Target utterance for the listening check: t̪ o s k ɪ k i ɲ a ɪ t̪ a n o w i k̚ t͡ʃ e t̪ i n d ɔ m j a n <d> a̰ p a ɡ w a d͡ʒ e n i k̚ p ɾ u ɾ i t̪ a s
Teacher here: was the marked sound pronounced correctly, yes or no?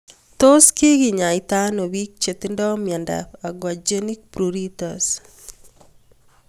yes